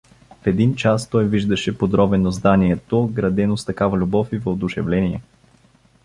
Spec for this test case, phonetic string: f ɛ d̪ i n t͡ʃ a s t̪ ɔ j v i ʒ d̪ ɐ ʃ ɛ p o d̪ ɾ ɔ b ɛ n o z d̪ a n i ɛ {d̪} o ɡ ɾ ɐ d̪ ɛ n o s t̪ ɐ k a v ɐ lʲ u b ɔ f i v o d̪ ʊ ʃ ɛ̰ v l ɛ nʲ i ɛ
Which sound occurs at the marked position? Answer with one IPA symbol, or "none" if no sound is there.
t̪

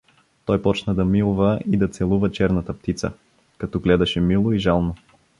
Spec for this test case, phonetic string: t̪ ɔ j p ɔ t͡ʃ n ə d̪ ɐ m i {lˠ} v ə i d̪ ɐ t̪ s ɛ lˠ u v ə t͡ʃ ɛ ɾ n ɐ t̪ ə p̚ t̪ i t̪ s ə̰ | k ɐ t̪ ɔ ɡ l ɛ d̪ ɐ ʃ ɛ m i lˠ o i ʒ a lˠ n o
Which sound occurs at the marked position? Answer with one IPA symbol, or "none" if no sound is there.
lˠ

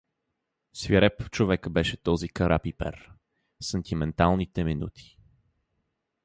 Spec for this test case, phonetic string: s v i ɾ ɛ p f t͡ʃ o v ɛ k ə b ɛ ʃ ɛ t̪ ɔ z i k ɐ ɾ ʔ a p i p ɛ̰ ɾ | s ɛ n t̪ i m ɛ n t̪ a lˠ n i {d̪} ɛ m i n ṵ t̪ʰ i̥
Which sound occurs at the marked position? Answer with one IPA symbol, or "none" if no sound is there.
t̪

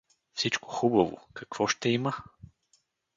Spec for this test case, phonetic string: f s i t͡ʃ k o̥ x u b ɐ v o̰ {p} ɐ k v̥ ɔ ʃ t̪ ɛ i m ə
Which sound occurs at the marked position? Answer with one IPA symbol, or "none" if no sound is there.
k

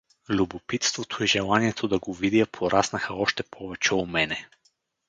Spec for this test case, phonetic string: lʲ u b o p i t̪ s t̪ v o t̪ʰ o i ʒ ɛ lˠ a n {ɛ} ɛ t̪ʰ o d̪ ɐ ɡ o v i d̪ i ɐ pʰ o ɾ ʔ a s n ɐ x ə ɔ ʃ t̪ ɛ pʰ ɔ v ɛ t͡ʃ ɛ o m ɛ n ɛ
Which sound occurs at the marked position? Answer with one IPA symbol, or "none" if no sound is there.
i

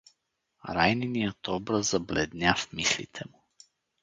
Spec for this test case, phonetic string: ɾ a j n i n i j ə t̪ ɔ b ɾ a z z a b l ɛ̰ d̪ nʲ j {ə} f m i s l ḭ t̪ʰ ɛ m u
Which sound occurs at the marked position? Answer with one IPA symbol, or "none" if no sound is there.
a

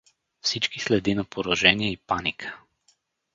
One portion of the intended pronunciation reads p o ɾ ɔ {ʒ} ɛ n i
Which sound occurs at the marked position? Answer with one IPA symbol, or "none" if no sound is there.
ʒ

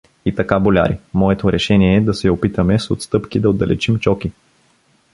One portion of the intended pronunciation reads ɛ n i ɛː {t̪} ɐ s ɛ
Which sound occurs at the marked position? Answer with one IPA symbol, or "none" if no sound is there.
d̪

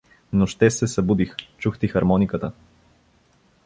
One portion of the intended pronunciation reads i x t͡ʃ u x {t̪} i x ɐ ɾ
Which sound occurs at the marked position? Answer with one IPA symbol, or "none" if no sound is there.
t̪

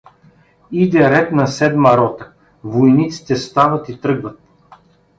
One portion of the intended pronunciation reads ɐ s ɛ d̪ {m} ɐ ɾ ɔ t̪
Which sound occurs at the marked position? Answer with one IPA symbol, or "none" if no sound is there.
m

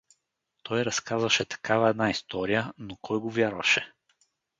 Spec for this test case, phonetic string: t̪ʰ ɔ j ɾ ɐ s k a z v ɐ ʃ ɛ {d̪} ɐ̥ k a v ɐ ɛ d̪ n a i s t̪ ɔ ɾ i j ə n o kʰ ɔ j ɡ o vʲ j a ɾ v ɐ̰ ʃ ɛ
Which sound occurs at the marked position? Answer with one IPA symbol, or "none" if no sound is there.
t̪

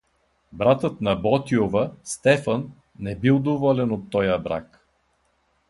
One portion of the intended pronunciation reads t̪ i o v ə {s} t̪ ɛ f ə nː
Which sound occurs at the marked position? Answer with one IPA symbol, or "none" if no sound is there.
s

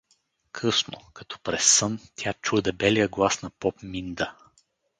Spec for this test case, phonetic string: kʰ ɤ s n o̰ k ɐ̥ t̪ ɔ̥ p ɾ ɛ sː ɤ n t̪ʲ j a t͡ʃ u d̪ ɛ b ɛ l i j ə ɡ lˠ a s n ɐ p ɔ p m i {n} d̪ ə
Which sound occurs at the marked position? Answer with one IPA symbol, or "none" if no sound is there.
n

